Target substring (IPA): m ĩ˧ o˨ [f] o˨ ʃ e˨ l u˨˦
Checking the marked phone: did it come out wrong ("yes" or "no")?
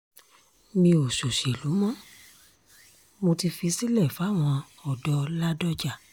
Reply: yes